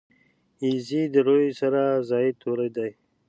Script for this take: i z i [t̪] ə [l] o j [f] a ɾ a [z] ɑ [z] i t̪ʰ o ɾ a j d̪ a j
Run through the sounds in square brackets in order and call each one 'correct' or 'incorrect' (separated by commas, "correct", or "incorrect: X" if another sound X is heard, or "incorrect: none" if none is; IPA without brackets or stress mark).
incorrect: d̪, incorrect: ɾ, incorrect: s, correct, incorrect: none